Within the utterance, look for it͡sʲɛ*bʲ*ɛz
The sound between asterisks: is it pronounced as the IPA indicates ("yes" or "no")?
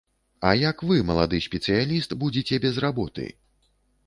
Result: yes